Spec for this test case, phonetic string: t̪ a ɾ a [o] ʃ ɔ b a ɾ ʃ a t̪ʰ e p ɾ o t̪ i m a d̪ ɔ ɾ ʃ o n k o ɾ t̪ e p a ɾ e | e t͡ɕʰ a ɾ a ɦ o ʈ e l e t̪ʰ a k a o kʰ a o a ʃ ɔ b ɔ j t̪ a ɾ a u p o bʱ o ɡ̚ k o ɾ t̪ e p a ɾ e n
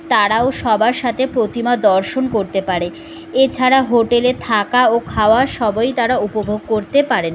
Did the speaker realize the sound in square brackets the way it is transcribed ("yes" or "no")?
yes